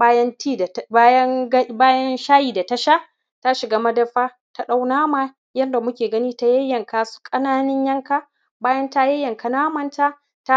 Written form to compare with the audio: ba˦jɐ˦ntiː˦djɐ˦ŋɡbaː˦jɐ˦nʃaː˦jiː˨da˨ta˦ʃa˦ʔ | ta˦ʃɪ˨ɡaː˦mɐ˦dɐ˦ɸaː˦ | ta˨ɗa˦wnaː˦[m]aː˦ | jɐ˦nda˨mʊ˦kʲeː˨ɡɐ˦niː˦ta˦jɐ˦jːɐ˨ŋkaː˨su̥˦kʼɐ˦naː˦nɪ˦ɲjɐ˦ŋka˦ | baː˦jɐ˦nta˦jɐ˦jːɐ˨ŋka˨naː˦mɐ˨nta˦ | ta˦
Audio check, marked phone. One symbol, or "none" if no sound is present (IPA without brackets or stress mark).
m